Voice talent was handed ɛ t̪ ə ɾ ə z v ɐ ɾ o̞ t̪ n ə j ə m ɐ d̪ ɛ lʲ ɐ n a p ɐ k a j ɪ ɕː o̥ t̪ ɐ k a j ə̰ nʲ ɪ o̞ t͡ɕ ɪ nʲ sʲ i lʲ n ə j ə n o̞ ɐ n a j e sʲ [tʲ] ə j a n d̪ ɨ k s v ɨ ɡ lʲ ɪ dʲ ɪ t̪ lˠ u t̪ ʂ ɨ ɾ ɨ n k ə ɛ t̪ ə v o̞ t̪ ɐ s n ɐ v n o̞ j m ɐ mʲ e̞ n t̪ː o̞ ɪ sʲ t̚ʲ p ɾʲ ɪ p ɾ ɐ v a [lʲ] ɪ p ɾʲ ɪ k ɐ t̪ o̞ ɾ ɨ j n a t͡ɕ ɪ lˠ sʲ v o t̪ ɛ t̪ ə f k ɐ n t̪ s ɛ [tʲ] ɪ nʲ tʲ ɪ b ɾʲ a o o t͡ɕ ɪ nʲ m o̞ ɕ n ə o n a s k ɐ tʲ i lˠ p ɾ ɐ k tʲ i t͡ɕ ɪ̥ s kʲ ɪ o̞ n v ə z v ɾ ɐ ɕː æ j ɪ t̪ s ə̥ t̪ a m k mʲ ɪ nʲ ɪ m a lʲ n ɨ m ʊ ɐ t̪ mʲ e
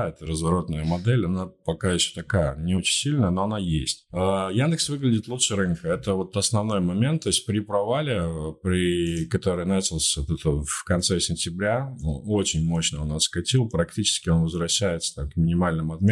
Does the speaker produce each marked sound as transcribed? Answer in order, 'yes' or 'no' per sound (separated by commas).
yes, yes, no